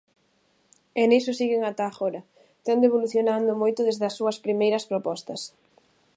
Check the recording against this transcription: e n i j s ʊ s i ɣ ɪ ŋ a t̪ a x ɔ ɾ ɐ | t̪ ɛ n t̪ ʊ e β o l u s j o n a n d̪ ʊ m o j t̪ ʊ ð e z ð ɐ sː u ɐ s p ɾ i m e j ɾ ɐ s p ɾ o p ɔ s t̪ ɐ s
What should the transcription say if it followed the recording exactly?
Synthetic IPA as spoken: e n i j s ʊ s i ɣ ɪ ŋ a t̪ a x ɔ ɾ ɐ | t̪ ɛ n d̪ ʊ e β o l u θ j o n a n d̪ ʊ m o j t̪ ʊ ð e z ð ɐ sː u ɐ s p ɾ i m e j ɾ ɐ s p ɾ o p ɔ s t̪ ɐ s